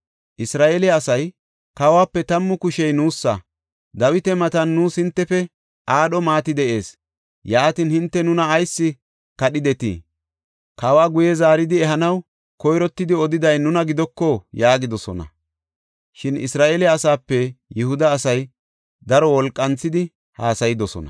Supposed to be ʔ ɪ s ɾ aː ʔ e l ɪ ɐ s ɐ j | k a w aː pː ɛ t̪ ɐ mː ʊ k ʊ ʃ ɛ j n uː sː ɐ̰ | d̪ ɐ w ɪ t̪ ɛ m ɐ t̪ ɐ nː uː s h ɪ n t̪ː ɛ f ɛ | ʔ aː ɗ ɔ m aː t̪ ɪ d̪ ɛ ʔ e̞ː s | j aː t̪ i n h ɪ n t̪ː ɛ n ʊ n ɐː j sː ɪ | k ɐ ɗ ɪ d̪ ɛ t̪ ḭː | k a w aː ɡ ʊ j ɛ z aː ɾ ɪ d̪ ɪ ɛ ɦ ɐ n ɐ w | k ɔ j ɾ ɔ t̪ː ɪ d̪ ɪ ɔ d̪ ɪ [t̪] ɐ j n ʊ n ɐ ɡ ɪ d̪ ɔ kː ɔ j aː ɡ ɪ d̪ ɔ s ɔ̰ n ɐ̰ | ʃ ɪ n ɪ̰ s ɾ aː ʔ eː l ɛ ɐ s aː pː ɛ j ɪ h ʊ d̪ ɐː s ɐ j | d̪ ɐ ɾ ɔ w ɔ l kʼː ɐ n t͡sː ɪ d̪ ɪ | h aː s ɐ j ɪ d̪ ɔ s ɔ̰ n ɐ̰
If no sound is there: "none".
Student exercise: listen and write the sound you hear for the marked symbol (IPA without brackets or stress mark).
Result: d̪